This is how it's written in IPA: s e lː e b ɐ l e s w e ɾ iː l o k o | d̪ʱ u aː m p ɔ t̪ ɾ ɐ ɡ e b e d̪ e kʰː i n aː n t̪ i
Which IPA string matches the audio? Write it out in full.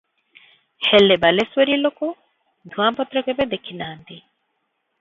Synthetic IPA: h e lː e b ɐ l e s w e ɾ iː l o k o | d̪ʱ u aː m p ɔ t̪ ɾ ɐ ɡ e b e d̪ e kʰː i n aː n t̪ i